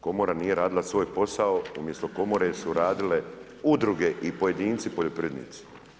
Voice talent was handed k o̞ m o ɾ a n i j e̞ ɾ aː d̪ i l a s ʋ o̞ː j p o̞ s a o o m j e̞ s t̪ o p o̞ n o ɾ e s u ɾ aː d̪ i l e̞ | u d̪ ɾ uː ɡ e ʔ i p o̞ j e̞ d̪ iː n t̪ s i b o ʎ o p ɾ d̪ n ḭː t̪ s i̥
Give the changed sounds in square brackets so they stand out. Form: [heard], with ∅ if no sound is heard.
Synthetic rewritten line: k o̞ m o ɾ a n i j e̞ ɾ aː d̪ i l a s ʋ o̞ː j p o̞ s a o [u] m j e̞ s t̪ o [k] o̞ [m] o ɾ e s u ɾ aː d̪ i l e̞ | u d̪ ɾ [u] ɡ e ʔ i p o̞ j e̞ d̪ iː n t̪ s i [p] o ʎ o p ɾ d̪ n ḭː t̪ s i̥